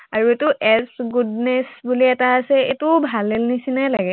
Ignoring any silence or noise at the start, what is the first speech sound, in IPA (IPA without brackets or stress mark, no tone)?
a